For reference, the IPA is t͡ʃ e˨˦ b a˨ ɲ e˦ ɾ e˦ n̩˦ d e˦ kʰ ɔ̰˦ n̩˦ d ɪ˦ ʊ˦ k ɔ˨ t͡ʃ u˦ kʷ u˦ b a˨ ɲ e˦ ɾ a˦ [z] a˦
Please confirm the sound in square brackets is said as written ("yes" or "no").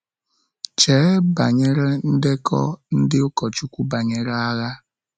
no